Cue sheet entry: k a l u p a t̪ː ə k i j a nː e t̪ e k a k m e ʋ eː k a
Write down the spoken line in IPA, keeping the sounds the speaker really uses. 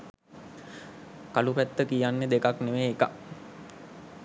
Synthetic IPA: k a l u p æ t̪ː ə k i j a nː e d̪ e k a k n e ʋ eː k a